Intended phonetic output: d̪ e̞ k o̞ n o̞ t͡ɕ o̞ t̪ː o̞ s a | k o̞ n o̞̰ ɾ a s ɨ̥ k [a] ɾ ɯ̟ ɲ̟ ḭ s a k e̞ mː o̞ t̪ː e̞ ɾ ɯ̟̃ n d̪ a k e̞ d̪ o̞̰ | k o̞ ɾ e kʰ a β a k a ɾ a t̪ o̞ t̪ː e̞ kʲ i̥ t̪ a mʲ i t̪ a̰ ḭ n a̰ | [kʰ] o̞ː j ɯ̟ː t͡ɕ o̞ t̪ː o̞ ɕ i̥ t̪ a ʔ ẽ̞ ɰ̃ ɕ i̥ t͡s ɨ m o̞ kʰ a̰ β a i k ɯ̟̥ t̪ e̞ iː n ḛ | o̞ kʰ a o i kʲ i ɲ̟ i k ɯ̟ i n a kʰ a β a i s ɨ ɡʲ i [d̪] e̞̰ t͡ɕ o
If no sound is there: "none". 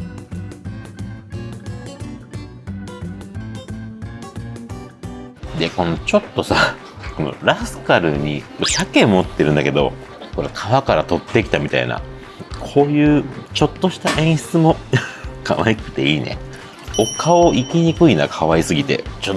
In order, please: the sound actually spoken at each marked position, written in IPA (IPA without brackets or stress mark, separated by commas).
a, kʰ, t̪